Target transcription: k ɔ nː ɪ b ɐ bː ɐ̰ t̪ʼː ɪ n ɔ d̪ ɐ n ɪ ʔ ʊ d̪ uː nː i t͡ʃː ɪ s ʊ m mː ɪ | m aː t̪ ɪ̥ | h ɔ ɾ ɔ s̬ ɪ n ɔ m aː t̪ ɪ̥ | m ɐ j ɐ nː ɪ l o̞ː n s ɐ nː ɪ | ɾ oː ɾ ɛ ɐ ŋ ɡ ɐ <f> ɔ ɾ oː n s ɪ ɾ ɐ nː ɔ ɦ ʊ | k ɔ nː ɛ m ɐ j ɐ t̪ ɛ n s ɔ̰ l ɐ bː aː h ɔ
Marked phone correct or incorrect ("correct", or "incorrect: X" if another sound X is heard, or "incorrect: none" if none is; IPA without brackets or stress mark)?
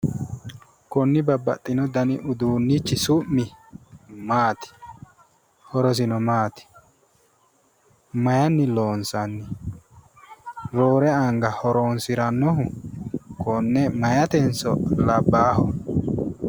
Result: incorrect: h